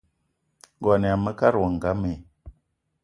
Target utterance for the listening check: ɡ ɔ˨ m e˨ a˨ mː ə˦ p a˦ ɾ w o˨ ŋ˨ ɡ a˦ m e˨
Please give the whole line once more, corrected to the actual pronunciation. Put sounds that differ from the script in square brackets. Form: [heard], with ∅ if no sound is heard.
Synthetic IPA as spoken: ɡ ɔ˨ [n] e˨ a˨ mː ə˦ [k] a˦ ɾ w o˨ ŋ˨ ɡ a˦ m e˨